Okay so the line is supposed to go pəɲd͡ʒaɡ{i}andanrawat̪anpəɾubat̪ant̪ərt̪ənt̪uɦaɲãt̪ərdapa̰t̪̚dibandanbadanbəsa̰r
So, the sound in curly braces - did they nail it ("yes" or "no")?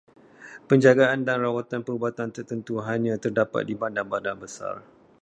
no